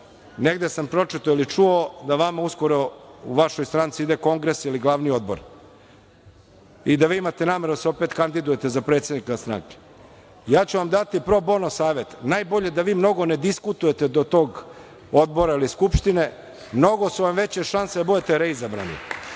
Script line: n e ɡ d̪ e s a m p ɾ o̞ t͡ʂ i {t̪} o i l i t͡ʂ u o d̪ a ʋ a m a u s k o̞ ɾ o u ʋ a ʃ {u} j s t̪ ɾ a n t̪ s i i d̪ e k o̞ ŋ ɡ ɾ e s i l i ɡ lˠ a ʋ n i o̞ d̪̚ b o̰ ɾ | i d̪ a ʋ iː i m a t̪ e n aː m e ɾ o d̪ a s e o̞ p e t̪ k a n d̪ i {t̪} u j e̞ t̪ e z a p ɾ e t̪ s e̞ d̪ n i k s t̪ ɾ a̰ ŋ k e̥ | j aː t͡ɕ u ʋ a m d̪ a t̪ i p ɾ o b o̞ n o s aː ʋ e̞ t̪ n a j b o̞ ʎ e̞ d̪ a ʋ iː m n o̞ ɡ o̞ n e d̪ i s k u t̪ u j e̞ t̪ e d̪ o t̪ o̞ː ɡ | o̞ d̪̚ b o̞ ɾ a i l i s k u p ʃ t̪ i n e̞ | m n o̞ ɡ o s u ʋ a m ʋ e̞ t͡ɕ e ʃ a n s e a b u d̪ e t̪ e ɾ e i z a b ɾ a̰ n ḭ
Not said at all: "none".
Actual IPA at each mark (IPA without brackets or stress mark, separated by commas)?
t̪, o, d̪